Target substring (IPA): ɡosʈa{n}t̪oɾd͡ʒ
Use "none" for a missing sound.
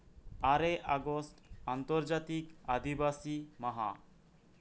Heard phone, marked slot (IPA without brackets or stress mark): n